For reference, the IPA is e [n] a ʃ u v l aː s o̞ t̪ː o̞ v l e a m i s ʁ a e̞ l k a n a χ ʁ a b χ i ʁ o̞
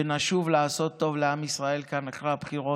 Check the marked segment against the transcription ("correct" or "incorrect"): correct